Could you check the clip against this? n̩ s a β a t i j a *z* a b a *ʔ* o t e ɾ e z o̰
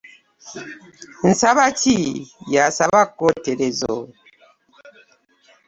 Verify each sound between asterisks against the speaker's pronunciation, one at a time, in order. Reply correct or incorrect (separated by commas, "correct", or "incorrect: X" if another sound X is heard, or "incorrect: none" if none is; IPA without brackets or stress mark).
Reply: incorrect: s, incorrect: k